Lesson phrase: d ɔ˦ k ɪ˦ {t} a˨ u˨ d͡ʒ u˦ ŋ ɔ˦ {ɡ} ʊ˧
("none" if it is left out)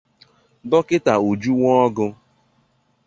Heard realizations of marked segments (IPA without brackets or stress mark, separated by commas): t, ɡ